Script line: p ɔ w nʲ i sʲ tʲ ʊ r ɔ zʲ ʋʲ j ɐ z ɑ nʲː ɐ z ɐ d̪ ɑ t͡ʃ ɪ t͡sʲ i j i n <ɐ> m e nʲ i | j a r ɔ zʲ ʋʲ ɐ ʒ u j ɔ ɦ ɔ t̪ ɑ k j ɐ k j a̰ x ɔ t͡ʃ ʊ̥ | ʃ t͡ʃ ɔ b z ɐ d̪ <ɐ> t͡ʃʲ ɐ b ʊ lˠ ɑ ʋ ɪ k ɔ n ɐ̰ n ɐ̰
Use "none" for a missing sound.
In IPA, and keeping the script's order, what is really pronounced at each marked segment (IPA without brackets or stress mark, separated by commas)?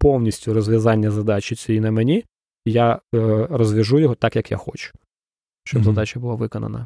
ɐ, ɑ